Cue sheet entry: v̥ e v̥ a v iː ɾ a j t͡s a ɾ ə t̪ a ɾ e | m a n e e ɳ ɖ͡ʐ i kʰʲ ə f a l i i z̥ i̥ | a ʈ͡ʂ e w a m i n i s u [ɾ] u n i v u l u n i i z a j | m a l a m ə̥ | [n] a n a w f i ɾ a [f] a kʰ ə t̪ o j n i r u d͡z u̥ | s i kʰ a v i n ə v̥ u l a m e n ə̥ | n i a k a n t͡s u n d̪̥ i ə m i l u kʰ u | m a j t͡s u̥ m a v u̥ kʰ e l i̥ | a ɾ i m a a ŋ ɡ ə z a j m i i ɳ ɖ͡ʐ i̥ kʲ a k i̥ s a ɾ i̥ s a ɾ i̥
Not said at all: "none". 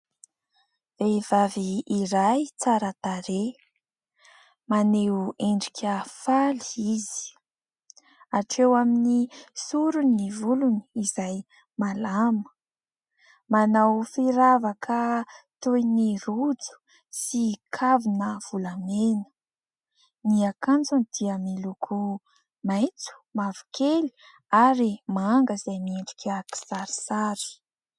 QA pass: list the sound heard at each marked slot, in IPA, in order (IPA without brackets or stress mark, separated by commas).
ɾ, m, v